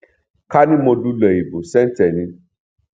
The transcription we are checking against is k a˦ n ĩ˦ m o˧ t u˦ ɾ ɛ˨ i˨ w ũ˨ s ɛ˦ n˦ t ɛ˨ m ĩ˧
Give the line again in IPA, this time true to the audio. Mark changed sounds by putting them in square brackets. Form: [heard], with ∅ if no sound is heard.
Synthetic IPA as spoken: k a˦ n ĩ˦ m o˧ [d] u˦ [l] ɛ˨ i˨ [b] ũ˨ s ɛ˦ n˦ t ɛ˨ [n] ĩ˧